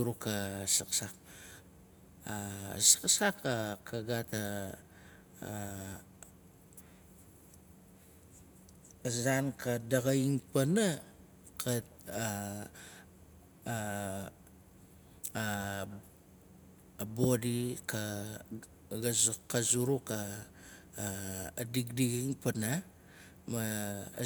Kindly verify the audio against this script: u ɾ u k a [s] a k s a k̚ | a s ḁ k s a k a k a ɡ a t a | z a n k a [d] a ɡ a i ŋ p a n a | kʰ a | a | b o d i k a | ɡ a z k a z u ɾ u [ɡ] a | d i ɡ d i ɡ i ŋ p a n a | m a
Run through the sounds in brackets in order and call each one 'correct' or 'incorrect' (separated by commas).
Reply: correct, correct, incorrect